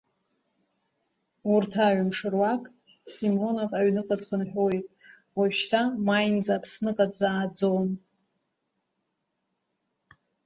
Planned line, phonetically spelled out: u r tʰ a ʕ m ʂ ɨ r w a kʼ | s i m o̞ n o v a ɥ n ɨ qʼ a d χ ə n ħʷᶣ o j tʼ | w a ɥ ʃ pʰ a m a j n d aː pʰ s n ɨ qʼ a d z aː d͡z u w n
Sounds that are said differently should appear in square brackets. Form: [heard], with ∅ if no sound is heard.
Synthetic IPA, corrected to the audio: u r tʰ a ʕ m ʂ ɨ r w a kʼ | s i m o̞ n o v a ɥ n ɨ qʼ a d χ ə n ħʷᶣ o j tʼ | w a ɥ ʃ [tʰ] a m a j n [d͡z] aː pʰ s n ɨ qʼ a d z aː d͡z [o] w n

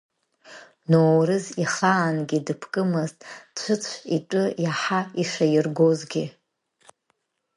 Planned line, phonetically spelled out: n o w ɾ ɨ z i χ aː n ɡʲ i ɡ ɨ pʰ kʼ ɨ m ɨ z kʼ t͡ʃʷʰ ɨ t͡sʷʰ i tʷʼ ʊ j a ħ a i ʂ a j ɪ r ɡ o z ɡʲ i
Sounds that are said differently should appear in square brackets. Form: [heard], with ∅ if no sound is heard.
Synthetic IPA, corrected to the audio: n o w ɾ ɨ z i χ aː n ɡʲ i [d] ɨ pʰ kʼ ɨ m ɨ z [tʼ] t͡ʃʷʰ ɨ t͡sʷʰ i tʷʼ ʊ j a ħ a i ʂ a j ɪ r ɡ o z ɡʲ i

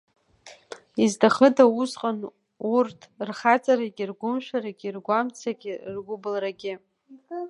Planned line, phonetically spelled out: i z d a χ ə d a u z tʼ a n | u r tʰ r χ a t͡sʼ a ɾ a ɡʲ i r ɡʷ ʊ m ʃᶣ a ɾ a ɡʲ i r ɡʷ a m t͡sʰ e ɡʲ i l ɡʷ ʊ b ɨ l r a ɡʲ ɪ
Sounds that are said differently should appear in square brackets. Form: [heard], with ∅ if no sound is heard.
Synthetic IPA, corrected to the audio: i z d a χ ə d a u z [qʼ] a n | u r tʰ r χ a t͡sʼ a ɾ a ɡʲ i r ɡʷ ʊ m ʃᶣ a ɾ a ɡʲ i r ɡʷ a m t͡sʰ [a] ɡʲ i [r] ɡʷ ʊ b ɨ l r a ɡʲ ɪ

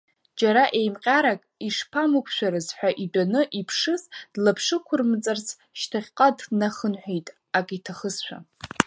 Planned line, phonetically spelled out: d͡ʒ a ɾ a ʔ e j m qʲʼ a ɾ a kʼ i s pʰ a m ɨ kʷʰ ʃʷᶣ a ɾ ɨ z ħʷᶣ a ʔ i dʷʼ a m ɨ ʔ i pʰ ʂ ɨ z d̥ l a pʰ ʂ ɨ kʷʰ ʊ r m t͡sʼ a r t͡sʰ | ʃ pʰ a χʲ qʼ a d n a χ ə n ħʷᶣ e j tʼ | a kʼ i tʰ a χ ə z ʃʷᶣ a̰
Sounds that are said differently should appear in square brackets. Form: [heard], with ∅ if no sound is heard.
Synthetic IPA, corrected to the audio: d͡ʒ a ɾ a ʔ e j m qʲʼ a ɾ a kʼ i [ʂ] pʰ a m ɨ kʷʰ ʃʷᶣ a ɾ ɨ z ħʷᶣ a ʔ i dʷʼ a [n] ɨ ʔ i pʰ ʂ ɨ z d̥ l a pʰ ʂ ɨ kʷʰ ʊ r m t͡sʼ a r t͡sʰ | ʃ [tʰ] a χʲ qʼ a d n a χ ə n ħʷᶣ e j tʼ | a kʼ i tʰ a χ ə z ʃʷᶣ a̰

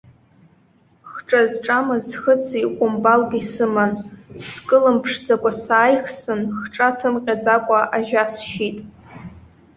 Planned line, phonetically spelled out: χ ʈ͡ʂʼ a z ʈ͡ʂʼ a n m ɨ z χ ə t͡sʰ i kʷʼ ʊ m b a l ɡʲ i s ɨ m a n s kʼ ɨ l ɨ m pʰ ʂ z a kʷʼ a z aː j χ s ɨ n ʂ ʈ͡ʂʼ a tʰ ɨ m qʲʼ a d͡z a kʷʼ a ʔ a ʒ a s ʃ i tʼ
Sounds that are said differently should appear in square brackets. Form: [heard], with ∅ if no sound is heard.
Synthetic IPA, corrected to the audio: χ ʈ͡ʂʼ a z ʈ͡ʂʼ a [∅] m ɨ z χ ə t͡sʰ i kʷʼ ʊ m b a l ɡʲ i s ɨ m a n s kʼ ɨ l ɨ m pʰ ʂ [d͡z] a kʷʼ a [s] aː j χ s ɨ n [χ] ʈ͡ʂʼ a tʰ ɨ m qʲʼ a d͡z a kʷʼ a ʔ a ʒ a s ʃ i tʼ

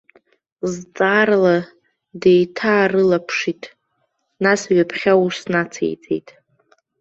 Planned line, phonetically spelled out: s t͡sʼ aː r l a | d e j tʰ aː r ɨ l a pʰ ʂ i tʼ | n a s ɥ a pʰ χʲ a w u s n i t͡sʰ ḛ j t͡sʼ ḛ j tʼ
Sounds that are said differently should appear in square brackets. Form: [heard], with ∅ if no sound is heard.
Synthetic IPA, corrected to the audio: [z] t͡sʼ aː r l a | d e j tʰ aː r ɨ l a pʰ ʂ i tʼ | n a s ɥ a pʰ χʲ a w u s n [a] t͡sʰ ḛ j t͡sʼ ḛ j tʼ

